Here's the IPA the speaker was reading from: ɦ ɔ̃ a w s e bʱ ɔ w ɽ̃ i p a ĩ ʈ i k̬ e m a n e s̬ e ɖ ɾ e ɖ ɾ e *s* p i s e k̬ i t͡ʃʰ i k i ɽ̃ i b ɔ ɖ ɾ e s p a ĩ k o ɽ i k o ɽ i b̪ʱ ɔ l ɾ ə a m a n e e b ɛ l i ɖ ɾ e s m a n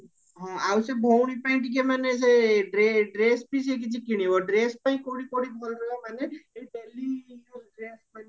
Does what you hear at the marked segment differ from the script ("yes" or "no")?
no